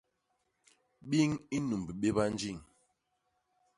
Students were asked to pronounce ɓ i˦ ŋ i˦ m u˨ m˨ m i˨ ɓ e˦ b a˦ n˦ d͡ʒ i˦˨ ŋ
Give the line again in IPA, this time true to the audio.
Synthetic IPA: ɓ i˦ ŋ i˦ n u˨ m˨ b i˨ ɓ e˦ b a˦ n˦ d͡ʒ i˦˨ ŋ